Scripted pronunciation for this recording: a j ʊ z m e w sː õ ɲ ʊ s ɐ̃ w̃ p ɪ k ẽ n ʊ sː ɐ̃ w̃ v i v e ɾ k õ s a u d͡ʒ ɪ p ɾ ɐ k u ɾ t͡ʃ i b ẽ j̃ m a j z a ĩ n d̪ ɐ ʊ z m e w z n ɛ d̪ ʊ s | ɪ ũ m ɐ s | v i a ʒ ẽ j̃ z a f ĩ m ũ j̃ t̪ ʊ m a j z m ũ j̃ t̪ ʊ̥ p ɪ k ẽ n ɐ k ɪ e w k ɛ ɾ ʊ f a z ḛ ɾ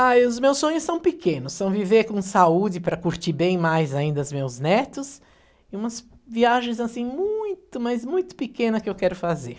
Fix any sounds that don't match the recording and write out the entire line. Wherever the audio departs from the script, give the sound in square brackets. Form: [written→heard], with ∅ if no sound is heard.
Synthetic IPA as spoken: a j ʊ z m e w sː õ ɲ ʊ s ɐ̃ w̃ p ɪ k ẽ n ʊ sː ɐ̃ w̃ v i v e ɾ k õ s a u d͡ʒ ɪ p ɾ ɐ k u ɾ t͡ʃ i b ẽ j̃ m a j z a ĩ n d̪ ɐ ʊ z m e w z n ɛ [d̪→t̪] ʊ s | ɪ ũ m ɐ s | v i a ʒ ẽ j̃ z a [f→s] ĩ m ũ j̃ t̪ ʊ m a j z m ũ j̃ t̪ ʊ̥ p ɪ k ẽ n ɐ k ɪ e w k ɛ ɾ ʊ f a z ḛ ɾ